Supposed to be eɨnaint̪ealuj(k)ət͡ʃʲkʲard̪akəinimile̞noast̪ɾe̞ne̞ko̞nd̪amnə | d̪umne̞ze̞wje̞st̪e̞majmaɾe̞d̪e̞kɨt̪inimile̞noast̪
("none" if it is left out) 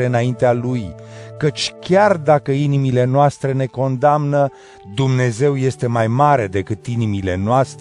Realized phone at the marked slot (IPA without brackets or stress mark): k